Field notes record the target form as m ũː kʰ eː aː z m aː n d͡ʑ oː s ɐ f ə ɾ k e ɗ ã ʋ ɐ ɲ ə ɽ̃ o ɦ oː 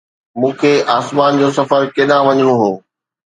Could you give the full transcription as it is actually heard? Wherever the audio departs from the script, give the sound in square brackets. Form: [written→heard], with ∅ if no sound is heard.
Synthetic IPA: m ũː kʰ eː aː [z→s] m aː n d͡ʑ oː s ɐ f ə ɾ k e ɗ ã ʋ ɐ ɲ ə ɽ̃ o ɦ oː